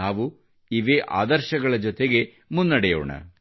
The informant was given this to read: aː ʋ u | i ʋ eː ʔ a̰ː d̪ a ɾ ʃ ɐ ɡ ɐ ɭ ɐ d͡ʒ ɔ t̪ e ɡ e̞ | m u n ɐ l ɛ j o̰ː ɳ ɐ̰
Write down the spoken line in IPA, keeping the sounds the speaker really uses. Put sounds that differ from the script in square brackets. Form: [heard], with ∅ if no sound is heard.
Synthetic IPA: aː ʋ u | i ʋ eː ʔ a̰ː d̪ [ɐ] ɾ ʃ ɐ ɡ ɐ ɭ ɐ d͡ʒ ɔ t̪ e ɡ e̞ | m u [nː] ɐ [ɽ] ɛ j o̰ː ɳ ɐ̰